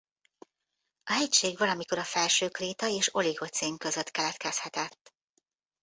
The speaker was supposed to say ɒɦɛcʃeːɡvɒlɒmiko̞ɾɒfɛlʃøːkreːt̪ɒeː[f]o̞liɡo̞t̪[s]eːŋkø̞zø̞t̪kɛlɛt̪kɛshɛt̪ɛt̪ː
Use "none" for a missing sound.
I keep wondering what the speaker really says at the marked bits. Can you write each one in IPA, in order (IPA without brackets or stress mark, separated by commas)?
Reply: ʃ, s